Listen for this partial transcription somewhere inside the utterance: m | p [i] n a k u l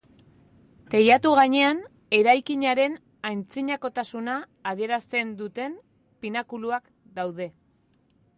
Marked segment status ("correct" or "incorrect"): correct